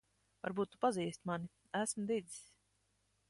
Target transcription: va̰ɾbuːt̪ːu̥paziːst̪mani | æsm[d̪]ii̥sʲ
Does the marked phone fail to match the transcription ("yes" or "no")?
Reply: no